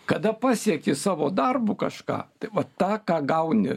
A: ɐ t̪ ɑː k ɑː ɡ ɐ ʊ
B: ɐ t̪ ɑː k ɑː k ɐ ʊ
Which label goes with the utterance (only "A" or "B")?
A